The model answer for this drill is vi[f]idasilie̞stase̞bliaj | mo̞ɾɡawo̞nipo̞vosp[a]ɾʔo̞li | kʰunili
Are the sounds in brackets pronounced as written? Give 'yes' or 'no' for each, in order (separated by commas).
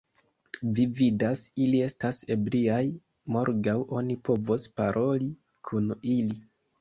no, yes